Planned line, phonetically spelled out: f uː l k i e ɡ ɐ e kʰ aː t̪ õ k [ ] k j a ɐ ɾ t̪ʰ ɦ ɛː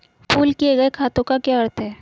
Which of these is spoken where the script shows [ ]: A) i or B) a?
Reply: B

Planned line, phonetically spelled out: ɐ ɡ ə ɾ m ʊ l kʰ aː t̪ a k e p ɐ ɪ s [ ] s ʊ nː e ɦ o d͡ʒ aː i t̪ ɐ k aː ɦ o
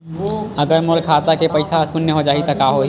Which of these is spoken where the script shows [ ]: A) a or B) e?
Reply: A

